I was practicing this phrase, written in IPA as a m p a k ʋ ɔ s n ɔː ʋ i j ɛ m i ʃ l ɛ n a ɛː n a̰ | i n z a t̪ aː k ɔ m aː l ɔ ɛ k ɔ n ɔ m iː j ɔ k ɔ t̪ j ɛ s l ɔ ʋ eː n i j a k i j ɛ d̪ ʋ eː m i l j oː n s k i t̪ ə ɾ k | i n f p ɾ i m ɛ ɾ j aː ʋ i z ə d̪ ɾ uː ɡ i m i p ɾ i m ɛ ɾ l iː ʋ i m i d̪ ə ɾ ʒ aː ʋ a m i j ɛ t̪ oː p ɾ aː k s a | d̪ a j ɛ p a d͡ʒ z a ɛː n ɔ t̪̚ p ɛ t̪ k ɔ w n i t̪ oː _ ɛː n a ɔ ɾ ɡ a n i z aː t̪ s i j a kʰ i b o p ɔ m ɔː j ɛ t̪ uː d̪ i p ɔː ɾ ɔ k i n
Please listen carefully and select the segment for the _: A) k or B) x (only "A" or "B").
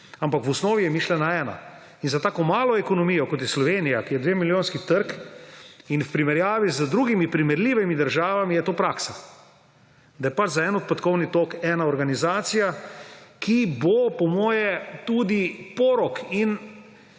A